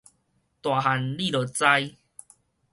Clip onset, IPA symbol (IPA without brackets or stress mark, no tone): t̪